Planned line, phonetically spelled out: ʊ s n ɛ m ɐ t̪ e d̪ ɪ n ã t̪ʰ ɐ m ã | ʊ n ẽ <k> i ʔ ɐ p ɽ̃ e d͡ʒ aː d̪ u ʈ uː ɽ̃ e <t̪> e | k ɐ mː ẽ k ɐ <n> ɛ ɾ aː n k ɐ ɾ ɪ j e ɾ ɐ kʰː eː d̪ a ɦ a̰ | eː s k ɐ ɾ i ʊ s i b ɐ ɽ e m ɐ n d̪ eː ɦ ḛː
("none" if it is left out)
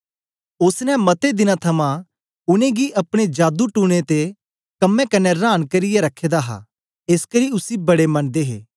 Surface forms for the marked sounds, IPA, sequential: ɡ, t̪, n

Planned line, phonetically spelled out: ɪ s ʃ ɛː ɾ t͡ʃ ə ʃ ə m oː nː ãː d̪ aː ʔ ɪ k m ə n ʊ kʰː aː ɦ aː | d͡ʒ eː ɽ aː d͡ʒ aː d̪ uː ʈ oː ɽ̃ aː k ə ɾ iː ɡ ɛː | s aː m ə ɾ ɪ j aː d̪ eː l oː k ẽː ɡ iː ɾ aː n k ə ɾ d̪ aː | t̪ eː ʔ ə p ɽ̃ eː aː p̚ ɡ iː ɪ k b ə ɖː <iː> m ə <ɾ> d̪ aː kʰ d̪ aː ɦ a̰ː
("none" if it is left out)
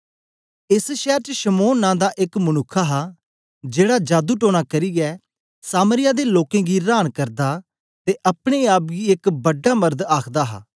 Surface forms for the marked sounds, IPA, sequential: aː, ɾ

